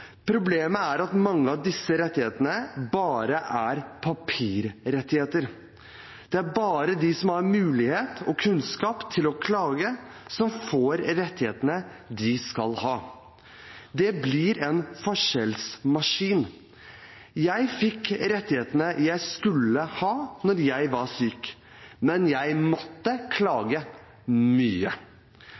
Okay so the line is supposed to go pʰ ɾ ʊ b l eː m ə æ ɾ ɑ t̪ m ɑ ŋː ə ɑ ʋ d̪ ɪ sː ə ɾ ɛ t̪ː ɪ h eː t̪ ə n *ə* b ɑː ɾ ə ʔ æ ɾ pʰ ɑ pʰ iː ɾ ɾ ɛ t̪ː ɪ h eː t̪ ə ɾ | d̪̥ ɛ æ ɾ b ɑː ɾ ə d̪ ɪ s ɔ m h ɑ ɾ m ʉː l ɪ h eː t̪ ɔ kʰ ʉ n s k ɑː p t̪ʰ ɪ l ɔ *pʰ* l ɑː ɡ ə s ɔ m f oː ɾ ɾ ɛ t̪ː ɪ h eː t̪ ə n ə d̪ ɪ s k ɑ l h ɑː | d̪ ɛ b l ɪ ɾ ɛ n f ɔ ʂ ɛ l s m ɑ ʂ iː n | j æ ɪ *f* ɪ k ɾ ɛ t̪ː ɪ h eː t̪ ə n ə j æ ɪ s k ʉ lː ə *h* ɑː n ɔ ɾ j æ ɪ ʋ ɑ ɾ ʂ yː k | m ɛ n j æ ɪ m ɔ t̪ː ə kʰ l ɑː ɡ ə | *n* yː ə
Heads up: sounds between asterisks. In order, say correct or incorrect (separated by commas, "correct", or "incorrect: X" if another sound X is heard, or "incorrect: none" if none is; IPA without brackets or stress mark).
correct, incorrect: kʰ, correct, correct, incorrect: m